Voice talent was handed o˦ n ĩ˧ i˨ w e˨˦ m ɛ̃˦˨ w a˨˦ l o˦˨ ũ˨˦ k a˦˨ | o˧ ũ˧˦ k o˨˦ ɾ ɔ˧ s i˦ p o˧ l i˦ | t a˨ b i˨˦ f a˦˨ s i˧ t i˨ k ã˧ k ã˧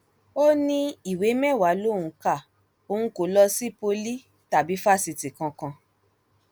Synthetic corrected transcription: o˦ n ĩ˧ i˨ w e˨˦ m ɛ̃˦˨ w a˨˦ l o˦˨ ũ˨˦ k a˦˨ | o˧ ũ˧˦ k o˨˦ l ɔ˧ s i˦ p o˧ l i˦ | t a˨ b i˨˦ f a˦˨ s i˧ t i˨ k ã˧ k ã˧